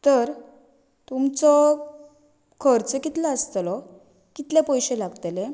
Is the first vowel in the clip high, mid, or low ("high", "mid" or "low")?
mid